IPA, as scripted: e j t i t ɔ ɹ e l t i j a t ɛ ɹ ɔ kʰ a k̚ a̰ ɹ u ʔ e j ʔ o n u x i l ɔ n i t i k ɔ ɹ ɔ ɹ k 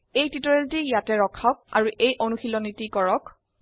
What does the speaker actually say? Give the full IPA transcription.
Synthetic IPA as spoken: e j t i t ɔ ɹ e l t i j a t ɛ ɹ ɔ kʰ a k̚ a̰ ɹ u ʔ e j ʔ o n u x i l ɔ n i t i k ɔ ɹ ɔ k